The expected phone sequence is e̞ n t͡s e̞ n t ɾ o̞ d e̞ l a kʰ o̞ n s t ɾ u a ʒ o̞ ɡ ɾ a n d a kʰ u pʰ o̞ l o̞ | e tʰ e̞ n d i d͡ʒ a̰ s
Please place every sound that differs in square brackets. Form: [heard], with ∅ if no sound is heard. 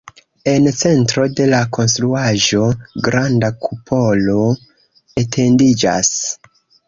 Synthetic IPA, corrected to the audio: e̞ n t͡s e̞ n t ɾ o̞ d e̞ l a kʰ o̞ n s t ɾ u a ʒ o̞ ɡ ɾ a n d a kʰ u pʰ o̞ l o̞ | e tʰ e̞ n d i d͡ʒ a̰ s